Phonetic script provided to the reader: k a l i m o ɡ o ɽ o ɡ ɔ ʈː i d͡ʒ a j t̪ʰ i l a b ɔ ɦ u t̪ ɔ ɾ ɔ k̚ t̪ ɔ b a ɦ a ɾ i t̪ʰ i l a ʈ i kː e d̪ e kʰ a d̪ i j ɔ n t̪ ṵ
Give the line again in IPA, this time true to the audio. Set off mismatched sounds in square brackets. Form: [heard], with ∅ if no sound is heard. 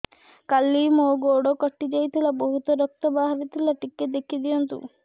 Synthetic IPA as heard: k a l i m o ɡ o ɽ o [k] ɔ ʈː i d͡ʒ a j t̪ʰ i l a b ɔ ɦ u t̪ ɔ ɾ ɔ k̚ t̪ ɔ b a ɦ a ɾ i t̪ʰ i l a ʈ i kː e d̪ e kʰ [i] d̪ i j ɔ n t̪ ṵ